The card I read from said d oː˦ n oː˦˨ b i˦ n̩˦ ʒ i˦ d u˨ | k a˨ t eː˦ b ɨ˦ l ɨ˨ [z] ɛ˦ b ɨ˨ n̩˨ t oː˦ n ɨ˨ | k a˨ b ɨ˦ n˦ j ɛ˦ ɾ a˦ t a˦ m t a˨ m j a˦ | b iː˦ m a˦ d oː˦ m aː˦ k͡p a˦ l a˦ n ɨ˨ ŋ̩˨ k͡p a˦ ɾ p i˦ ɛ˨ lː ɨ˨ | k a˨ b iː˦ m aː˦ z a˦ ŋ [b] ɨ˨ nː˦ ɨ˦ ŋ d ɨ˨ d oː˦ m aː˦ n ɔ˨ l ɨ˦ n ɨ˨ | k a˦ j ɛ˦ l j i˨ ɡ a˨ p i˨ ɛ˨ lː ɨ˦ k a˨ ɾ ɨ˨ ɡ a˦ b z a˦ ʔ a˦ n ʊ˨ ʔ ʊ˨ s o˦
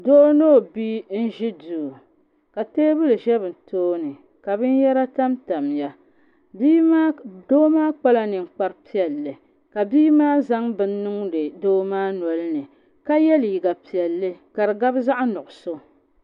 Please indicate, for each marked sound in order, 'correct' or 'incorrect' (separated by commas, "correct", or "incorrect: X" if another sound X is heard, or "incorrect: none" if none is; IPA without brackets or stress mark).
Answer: incorrect: ʒ, correct